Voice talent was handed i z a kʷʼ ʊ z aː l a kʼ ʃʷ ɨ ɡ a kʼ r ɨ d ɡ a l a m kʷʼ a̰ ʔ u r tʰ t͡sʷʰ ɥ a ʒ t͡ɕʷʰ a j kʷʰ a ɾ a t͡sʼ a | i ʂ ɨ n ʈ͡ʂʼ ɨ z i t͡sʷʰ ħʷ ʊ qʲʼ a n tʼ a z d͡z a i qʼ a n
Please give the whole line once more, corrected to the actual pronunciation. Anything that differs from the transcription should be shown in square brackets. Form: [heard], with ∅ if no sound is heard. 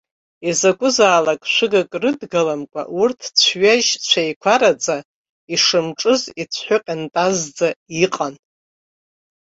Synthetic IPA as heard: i z a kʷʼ ʊ z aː l a kʼ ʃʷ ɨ ɡ a kʼ r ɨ d ɡ a l a m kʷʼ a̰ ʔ u r tʰ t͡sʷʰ ɥ a ʒ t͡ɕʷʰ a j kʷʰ a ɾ a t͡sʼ a | i ʂ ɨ [m] ʈ͡ʂʼ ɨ z i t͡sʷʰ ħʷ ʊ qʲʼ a n tʼ a z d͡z a i qʼ a n